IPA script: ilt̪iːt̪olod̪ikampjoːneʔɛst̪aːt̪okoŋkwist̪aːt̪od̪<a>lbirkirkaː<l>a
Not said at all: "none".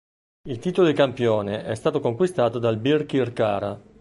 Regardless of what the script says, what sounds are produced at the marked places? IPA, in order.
a, ɾ

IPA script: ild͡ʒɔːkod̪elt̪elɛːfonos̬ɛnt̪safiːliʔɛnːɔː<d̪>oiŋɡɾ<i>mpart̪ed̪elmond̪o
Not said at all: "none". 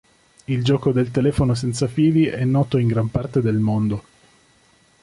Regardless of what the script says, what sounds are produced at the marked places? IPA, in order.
t̪, a

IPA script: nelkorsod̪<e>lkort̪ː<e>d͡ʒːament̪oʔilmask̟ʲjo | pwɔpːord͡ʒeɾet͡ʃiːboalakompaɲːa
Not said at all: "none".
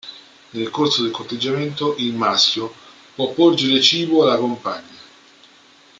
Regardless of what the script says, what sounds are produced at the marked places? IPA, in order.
e, e

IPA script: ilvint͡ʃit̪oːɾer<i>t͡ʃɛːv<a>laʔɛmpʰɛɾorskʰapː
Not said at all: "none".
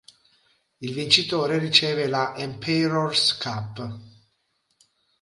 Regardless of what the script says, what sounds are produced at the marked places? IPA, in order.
i, e

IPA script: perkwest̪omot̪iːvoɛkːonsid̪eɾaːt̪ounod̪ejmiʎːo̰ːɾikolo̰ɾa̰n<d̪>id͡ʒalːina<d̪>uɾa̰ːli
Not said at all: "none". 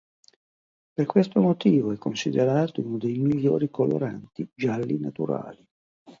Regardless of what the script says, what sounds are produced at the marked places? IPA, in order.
t̪, t̪

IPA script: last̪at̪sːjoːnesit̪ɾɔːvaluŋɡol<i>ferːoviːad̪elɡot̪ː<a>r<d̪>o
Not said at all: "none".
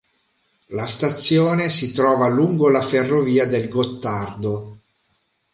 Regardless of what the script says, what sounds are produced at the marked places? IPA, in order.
a, a, d̪

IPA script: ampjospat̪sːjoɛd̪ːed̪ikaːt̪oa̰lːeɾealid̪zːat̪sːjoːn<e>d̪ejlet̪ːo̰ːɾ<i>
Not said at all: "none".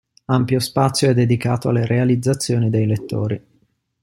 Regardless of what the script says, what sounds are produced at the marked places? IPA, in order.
i, i

